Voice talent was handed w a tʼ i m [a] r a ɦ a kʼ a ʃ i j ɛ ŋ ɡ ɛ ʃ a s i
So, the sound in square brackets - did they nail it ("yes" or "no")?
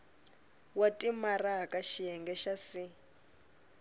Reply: yes